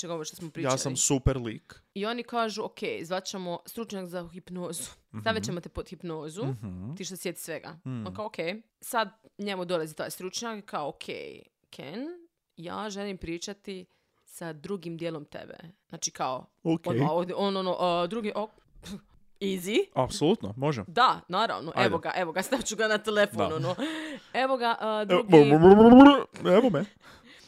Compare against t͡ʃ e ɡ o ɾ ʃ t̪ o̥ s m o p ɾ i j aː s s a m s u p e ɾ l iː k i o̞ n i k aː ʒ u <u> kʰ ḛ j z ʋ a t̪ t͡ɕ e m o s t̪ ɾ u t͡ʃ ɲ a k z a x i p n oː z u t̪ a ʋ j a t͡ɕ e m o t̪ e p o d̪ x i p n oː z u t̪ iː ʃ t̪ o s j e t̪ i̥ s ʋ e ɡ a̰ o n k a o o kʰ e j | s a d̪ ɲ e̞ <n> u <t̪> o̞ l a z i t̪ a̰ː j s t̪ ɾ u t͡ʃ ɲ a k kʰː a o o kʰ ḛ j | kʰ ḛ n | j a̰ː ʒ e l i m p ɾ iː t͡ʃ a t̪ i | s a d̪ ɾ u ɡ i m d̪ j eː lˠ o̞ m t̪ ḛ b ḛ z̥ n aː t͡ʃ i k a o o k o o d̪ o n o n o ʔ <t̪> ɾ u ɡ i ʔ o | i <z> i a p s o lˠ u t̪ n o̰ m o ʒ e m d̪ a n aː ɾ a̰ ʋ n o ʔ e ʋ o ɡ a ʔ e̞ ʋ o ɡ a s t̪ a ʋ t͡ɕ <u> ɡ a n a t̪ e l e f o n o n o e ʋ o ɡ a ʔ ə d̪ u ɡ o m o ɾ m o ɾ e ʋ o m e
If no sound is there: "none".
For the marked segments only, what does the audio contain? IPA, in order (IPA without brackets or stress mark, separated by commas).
o, m, d̪, d̪, z, u